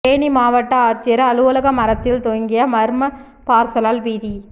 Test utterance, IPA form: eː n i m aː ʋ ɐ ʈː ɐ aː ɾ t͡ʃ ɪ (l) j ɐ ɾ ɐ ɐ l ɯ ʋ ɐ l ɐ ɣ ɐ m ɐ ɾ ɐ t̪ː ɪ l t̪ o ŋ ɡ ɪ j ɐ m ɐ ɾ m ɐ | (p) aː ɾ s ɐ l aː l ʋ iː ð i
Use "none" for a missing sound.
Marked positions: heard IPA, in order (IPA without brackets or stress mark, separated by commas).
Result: none, p